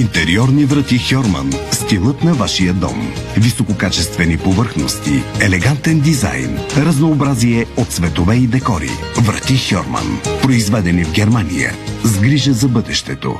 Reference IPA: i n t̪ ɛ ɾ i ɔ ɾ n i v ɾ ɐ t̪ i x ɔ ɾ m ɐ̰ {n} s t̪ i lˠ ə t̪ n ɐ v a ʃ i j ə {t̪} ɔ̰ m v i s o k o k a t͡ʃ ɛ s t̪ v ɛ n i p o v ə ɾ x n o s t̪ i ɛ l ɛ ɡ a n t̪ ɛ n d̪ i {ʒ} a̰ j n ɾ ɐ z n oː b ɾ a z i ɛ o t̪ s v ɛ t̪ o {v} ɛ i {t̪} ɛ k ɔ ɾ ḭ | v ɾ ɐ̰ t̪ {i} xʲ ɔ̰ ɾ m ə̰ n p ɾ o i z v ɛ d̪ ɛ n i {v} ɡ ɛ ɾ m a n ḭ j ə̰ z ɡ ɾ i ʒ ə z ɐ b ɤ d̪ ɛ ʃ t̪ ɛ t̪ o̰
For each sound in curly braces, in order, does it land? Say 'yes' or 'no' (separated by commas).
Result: yes, no, no, yes, no, yes, yes